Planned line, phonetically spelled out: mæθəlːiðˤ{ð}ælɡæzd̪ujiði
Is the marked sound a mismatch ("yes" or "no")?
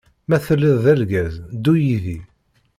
no